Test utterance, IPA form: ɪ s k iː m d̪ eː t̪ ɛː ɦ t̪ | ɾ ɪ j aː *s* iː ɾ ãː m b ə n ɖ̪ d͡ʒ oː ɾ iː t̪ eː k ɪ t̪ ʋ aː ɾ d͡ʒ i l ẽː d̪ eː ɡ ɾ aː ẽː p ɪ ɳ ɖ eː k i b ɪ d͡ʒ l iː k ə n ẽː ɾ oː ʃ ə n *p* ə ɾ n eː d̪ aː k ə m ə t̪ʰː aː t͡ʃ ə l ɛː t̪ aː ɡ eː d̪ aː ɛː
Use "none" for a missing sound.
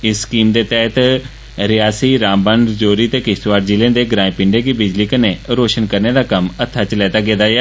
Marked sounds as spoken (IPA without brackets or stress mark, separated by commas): s, k